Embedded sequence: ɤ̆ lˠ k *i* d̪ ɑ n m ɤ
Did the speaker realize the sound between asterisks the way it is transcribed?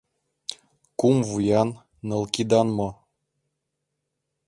yes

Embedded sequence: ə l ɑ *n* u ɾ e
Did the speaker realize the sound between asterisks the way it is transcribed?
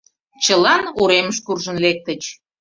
yes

